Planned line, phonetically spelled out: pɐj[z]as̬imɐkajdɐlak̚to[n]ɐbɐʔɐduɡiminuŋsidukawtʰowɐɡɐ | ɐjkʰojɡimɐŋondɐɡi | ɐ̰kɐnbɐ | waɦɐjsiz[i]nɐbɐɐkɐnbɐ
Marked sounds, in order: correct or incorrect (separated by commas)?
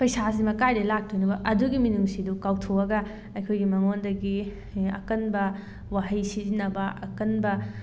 incorrect, correct, correct